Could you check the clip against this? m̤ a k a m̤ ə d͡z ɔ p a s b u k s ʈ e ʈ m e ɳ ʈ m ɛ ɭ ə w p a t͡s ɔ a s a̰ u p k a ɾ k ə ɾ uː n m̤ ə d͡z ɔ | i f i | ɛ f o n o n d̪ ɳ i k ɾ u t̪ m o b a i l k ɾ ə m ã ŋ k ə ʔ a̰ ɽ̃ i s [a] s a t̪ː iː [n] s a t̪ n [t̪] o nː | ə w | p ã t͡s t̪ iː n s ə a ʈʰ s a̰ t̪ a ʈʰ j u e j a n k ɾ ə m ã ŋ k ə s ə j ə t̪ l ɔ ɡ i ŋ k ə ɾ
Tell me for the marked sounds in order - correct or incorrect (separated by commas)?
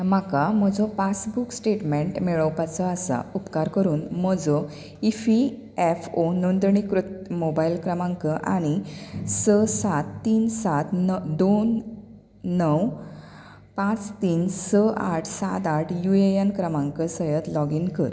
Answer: incorrect, correct, incorrect